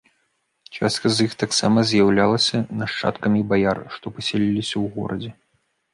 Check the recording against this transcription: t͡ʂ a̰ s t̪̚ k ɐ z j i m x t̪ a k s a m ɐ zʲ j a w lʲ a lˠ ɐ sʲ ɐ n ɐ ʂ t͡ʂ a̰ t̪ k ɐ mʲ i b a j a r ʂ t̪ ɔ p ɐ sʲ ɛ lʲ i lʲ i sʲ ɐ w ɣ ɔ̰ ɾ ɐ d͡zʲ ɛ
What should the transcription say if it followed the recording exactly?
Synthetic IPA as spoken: t͡ʂ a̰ s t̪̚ k ɐ z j i x t̪ a k s a m ɐ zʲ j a w lʲ a lˠ ɐ sʲ ɐ n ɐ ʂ t͡ʂ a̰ t̪ k ɐ mʲ i b a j a r ʂ t̪ ɔ p ɐ sʲ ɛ lʲ i lʲ i sʲ ɐ w ɣ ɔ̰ ɾ ɐ d͡zʲ ɛ